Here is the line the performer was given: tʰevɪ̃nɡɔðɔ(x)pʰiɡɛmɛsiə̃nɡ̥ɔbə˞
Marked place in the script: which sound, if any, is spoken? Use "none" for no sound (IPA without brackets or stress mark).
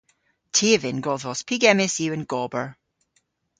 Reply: s